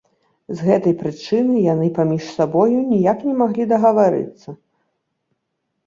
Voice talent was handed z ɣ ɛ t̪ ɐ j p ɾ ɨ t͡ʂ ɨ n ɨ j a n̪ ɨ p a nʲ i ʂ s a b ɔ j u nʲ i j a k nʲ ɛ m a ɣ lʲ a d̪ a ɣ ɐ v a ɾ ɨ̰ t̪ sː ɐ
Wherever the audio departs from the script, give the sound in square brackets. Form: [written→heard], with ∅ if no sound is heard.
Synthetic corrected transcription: z ɣ ɛ t̪ ɐ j p ɾ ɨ t͡ʂ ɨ n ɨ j a n̪ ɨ p a [nʲ→mʲ] i ʂ s a b ɔ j u nʲ i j a k nʲ ɛ m a ɣ lʲ [a→i] d̪ [a→ɐ] ɣ ɐ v a ɾ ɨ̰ t̪ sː ɐ